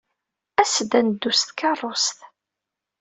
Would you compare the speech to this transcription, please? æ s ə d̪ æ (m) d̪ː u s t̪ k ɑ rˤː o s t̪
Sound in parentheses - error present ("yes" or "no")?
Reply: yes